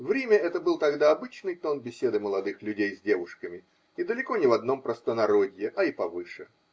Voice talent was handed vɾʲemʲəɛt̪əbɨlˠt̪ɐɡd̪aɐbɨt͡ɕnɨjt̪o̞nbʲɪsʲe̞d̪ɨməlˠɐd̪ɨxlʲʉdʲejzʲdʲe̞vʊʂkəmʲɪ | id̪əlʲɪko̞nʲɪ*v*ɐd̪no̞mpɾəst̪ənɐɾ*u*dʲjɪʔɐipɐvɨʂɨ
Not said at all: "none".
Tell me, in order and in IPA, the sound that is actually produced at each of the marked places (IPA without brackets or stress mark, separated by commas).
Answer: v, o